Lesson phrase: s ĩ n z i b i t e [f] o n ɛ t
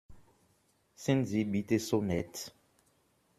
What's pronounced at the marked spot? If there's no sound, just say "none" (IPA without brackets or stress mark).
s